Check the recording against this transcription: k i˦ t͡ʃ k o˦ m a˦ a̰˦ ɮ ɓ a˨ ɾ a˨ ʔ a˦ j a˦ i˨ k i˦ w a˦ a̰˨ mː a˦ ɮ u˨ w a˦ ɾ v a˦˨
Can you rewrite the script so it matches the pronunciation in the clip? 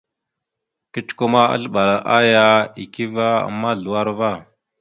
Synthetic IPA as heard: k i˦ t͡ʃ k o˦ m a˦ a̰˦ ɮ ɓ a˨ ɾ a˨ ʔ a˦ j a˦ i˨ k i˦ v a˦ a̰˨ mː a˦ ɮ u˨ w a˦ ɾ v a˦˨